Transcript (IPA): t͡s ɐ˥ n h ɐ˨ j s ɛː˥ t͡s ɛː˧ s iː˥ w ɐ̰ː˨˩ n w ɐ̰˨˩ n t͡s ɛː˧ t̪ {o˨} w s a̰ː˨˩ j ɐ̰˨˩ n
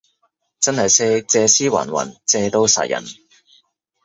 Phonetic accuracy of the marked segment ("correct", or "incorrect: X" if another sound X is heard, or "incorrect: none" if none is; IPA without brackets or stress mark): incorrect: o˥